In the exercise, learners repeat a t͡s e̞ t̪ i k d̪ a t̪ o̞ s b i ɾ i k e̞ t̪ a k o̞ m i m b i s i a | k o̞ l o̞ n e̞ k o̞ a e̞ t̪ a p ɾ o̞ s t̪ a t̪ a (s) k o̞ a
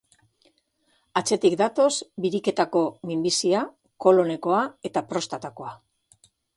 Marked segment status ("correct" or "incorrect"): incorrect